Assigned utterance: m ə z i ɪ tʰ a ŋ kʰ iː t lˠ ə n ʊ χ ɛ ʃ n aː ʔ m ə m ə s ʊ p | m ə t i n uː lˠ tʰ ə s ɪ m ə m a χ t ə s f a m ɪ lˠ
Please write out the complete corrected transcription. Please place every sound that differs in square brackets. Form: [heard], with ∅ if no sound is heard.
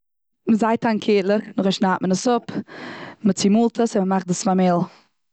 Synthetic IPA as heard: m ə z [a] ɪ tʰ a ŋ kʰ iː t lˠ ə n ʊ χ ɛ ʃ n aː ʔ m ə [n] ə s ʊ p | m ə [t͡s] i [m] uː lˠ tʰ ə s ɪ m ə m a χ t ə s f a m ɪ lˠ